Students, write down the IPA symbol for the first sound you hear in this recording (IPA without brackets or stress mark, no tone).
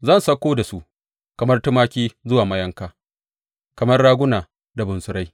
z